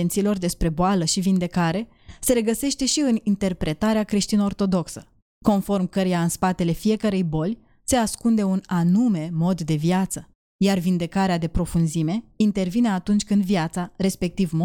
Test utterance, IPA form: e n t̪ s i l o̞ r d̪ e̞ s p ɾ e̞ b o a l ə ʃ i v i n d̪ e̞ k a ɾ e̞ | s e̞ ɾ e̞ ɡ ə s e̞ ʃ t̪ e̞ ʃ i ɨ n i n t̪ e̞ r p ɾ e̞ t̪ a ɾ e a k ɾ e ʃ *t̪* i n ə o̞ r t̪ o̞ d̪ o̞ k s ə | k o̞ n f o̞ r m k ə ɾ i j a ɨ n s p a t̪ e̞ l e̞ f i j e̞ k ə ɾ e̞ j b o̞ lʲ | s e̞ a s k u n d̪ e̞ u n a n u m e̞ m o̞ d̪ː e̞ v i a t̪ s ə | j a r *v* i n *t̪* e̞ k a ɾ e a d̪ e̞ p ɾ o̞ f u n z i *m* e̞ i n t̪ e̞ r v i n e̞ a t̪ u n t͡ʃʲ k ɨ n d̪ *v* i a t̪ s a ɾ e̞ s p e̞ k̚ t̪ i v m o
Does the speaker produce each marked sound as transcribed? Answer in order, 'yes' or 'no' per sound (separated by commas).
yes, yes, no, yes, yes